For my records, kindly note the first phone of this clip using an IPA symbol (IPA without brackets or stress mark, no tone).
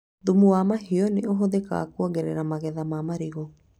ð